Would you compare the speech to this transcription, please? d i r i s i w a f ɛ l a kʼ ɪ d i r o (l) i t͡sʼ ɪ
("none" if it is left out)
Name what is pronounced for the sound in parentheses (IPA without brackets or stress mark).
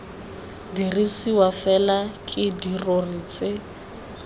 r